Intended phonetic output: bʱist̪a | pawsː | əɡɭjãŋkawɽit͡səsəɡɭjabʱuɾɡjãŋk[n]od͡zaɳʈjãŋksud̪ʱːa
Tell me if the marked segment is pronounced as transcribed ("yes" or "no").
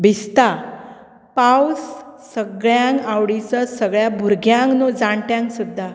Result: yes